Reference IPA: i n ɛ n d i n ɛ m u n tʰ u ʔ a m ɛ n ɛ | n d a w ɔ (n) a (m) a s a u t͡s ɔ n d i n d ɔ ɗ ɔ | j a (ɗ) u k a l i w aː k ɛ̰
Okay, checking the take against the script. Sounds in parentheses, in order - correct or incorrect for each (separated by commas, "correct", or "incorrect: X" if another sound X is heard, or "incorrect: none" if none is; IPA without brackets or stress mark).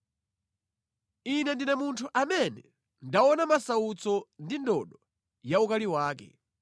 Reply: correct, correct, incorrect: none